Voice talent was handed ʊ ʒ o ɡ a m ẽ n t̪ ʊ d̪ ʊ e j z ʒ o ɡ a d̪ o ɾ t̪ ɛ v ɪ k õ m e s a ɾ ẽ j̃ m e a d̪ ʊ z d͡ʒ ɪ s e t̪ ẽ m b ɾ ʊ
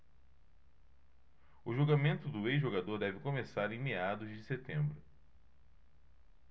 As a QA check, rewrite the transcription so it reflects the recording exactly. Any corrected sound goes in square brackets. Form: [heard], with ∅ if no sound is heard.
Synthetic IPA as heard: ʊ ʒ o ɡ a m ẽ n t̪ ʊ d̪ ʊ e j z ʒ o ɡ a d̪ o ɾ [d̪] ɛ v ɪ k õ m e s a ɾ ẽ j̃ m e a d̪ ʊ z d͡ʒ ɪ s e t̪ ẽ m b ɾ ʊ

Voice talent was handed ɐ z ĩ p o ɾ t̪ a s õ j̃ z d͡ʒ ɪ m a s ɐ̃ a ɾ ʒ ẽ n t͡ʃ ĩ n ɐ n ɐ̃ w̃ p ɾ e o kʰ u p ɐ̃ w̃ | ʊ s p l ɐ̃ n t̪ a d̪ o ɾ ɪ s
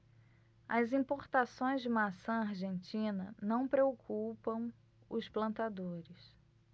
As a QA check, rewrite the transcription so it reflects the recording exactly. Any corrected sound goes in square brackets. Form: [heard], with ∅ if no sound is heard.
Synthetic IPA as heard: ɐ z ĩ p o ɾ t̪ a s õ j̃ z d͡ʒ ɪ m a s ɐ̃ a ɾ ʒ ẽ n t͡ʃ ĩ n ɐ n ɐ̃ w̃ p ɾ e o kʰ u p ɐ̃ w̃ | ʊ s p l ɐ̃ n t̪ a d̪ o ɾ ɪ s

